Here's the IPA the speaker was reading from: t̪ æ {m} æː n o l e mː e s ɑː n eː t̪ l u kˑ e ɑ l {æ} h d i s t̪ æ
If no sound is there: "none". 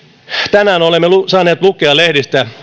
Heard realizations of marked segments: n, e

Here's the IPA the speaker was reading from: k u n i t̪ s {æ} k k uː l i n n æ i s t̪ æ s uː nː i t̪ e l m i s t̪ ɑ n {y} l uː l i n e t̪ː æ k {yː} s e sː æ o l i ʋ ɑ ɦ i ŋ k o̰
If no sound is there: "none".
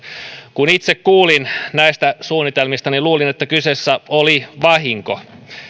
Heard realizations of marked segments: e, i, y

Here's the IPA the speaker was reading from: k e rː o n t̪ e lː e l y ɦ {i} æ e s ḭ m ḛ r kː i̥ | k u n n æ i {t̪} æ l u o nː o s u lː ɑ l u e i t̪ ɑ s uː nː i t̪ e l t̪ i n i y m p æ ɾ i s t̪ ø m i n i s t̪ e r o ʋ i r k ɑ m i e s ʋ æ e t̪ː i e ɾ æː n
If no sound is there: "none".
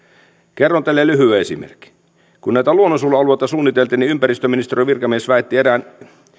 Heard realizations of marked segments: y, t̪

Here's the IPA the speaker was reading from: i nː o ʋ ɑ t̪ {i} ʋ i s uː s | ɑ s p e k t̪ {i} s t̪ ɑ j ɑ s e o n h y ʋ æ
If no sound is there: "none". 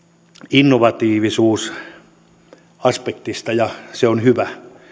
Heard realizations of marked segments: iː, i

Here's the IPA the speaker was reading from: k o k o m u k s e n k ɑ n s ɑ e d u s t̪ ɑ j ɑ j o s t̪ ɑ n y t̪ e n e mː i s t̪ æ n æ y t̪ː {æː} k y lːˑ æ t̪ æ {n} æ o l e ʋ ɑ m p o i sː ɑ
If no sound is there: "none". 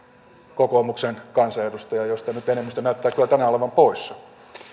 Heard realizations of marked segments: æː, n

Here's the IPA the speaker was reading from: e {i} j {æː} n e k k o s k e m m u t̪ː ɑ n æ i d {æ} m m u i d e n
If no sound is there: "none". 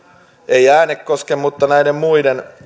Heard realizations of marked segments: i, æː, e

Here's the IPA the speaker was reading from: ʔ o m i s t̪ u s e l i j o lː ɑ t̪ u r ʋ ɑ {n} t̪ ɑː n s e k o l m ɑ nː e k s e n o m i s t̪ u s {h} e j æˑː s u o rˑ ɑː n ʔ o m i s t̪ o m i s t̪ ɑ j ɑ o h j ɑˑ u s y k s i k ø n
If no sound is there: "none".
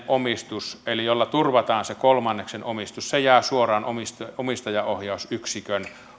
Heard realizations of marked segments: none, s

